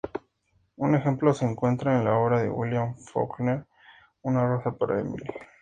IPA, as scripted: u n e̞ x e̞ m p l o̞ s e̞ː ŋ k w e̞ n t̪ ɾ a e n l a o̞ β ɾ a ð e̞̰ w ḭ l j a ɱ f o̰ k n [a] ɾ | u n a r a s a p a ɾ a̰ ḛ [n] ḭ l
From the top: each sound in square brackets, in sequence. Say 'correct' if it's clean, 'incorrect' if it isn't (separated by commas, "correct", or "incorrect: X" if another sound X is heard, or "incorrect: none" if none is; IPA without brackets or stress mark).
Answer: incorrect: e, incorrect: m